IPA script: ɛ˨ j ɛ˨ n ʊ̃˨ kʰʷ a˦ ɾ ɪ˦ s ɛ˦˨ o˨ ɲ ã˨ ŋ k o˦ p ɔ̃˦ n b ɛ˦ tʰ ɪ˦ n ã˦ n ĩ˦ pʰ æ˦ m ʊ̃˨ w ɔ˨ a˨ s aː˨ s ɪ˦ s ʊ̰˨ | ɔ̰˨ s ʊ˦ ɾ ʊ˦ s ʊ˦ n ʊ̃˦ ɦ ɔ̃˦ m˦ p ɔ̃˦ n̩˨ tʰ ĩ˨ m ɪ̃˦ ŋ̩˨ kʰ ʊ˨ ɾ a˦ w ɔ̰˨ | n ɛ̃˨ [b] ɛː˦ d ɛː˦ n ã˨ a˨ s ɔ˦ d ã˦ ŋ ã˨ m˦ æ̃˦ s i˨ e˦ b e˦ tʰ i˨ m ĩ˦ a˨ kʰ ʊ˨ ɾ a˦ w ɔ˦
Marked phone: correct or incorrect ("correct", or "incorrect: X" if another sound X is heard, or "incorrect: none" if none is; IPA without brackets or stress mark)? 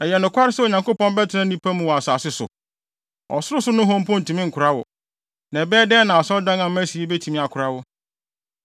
correct